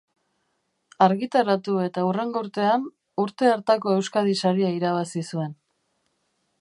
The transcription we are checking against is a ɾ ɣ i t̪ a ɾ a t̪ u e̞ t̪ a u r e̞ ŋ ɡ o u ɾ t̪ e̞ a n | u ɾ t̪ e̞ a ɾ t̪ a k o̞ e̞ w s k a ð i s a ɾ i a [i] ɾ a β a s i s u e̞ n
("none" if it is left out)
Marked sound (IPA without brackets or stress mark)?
i